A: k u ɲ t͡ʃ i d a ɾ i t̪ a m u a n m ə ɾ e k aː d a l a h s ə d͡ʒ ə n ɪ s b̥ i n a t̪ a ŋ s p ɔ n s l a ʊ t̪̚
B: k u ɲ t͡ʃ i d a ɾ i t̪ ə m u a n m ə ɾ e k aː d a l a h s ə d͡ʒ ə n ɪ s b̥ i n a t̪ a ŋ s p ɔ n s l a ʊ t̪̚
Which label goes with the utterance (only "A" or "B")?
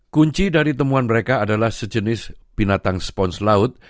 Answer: B